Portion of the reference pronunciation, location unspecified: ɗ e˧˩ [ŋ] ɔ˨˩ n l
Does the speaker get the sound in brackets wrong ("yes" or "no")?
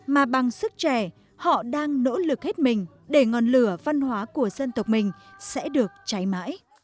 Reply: no